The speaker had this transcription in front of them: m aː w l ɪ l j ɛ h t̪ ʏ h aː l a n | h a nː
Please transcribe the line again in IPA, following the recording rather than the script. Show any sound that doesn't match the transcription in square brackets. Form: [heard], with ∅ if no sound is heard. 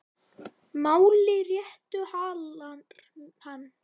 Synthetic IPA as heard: m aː w l ɪ [r] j ɛ h t̪ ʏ h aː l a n | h a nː